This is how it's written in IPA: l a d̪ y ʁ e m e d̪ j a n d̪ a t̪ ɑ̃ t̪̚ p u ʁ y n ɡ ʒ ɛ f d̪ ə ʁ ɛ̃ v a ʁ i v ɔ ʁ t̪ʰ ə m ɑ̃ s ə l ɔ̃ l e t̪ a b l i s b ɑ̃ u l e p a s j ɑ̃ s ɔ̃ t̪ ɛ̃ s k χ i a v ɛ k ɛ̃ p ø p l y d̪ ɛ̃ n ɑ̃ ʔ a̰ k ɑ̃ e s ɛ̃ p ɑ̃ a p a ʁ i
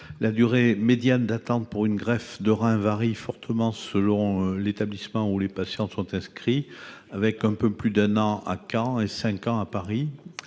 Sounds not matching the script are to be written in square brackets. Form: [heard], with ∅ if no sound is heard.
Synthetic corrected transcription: l a d̪ y ʁ e m e d̪ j a n d̪ a t̪ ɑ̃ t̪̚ p u ʁ y n ɡ [ʁ] ɛ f d̪ ə ʁ ɛ̃ v a ʁ i [f] ɔ ʁ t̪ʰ ə m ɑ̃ s ə l ɔ̃ l e t̪ a b l i s [m] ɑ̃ u l e p a s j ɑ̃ s ɔ̃ t̪ ɛ̃ s k χ i a v ɛ k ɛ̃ p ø p l y d̪ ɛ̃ n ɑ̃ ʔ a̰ k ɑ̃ e s ɛ̃ [k] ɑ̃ a p a ʁ i